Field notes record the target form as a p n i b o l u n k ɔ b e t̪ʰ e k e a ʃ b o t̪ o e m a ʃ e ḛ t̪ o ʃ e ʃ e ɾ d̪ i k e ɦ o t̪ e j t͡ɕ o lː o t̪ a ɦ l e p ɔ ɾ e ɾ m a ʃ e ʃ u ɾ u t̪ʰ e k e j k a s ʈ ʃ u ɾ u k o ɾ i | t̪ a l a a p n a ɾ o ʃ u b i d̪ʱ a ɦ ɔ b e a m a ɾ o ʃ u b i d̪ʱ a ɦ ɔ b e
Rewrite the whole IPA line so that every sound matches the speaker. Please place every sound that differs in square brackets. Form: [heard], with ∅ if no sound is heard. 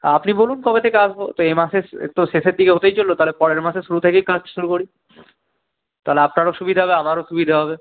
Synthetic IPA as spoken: a p n i b o l u n k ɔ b e t̪ʰ e k e a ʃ b o t̪ o e m a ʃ e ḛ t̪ o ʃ e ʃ e ɾ d̪ i k e ɦ o t̪ e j t͡ɕ o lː o t̪ a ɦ l e p ɔ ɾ e ɾ m a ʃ e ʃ u ɾ u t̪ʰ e k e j k a s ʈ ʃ u ɾ u k o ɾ i | t̪ a l [e] a p n a ɾ o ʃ u b i d̪ʱ a ɦ ɔ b e a m a ɾ o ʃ u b i d̪ʱ a ɦ ɔ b e